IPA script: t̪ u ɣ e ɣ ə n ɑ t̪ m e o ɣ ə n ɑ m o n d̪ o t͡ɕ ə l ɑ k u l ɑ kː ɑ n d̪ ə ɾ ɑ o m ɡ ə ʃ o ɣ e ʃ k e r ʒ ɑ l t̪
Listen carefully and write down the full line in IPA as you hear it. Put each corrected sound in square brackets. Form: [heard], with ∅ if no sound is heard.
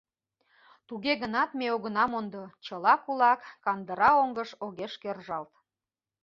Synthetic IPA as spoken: t̪ u ɣ e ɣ ə n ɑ t̪ m e o ɣ ə n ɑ m o n d̪ o t͡ɕ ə l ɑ k u l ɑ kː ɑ n d̪ ə ɾ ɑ o [ŋ] ɡ ə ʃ o ɣ e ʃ k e r ʒ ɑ l t̪